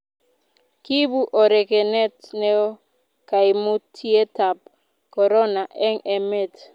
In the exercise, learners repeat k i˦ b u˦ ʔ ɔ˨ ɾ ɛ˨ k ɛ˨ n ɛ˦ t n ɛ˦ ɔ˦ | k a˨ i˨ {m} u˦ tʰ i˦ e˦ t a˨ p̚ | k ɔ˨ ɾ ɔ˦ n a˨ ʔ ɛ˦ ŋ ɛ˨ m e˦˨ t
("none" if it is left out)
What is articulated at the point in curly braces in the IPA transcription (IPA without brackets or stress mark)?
m